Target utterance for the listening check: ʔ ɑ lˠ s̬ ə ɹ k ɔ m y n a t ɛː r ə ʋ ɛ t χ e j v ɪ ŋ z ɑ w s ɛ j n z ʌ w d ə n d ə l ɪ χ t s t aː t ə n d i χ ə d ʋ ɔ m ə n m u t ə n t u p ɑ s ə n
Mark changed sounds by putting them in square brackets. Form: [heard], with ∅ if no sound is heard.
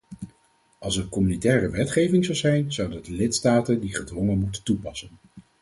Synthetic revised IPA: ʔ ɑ lˠ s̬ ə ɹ k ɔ m y n [i] t ɛː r ə ʋ ɛ t χ e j v ɪ ŋ z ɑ w [z] ɛ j n z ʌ w d ə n d ə l ɪ [∅] t s t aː t ə n d i χ ə d ʋ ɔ [ŋ] ə n m u t ə n t u p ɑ s ə n